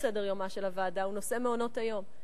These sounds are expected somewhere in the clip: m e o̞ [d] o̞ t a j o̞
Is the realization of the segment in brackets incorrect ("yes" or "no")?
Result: yes